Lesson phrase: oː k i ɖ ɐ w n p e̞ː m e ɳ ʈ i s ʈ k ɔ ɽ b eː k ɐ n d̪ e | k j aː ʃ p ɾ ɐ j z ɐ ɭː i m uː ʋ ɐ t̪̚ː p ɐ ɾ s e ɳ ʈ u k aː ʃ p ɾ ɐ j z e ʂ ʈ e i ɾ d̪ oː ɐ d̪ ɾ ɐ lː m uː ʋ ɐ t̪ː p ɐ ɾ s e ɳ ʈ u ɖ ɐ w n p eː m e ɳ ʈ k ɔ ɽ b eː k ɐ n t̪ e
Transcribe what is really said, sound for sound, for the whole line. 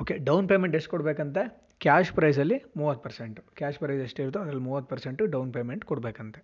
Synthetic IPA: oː k e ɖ ɐ w n p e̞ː m e ɳ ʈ e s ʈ k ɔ ɽ b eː k ɐ n t̪ e | k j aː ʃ p ɾ ɐ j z ɐ lː i m uː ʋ ɐ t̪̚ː p ɐ ɾ s e ɳ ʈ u k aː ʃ p ɾ ɐ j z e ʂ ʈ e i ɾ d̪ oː ɐ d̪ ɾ ɐ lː m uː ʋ ɐ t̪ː p ɐ ɾ s e ɳ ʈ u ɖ ɐ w n p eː m e ɳ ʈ k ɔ ɽ b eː k ɐ n t̪ e